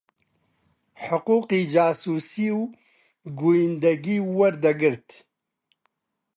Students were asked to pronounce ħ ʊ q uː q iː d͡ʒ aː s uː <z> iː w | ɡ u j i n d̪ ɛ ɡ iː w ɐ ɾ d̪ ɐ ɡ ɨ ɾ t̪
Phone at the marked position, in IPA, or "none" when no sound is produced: s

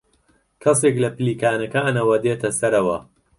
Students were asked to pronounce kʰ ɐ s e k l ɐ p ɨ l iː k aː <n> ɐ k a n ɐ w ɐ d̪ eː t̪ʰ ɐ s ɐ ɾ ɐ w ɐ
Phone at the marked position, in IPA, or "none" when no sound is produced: n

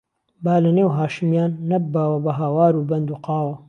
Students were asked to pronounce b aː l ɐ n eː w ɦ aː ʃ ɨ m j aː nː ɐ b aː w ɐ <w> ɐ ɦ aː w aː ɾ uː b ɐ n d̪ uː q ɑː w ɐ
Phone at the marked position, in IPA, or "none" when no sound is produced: b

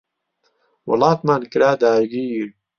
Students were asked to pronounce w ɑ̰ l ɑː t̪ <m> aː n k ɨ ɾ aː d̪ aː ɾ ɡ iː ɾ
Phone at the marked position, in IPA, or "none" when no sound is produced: m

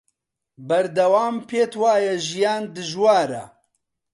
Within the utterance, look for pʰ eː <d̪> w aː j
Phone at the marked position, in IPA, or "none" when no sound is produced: t̪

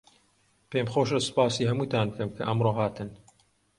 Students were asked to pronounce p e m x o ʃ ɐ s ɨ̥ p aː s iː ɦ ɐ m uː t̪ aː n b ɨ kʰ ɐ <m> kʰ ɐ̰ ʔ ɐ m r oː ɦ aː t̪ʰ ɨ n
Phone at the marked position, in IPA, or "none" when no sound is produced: m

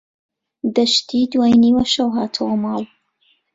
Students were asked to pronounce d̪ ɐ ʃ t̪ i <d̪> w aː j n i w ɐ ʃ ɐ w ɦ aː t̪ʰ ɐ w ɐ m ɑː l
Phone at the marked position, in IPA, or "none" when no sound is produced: d̪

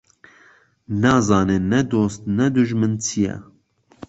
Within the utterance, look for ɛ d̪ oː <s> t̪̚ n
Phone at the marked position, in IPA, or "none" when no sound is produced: s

